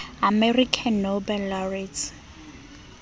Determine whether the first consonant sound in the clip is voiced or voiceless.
voiced